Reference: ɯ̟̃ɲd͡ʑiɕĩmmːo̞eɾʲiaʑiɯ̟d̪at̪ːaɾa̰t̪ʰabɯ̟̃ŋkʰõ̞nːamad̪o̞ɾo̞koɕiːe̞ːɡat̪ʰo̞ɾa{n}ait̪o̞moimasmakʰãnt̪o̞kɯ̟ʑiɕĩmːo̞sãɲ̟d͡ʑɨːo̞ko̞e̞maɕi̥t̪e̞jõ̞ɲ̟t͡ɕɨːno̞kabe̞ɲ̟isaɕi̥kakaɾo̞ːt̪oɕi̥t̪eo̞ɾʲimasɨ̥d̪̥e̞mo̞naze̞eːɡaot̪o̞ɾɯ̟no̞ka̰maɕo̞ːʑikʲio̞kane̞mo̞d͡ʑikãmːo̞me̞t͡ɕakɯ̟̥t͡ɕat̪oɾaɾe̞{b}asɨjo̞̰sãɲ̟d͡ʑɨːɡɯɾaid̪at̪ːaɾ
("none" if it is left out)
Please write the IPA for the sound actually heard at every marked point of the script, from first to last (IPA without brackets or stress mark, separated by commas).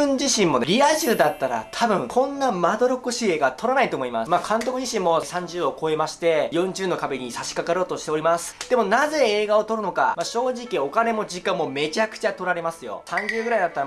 n, m